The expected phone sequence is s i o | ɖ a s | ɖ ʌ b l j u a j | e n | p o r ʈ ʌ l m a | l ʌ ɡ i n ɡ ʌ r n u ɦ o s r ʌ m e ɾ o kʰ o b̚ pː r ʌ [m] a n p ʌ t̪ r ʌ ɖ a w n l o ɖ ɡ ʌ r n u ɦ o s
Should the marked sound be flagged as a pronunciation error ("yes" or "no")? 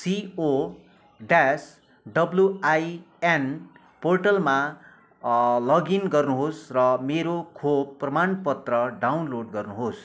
no